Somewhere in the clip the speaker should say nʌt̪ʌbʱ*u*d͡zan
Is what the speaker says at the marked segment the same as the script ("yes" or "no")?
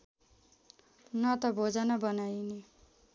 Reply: no